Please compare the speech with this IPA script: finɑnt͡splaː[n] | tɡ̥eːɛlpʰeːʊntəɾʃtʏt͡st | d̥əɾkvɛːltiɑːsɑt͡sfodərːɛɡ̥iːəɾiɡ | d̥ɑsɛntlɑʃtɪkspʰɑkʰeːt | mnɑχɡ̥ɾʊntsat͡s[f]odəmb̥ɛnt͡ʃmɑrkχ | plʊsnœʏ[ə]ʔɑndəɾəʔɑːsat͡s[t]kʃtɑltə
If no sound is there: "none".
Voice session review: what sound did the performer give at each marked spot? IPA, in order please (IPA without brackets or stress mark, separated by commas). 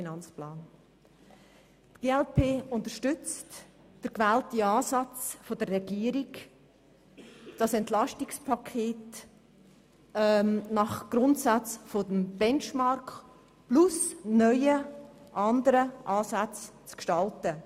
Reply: n, f, ə, t͡s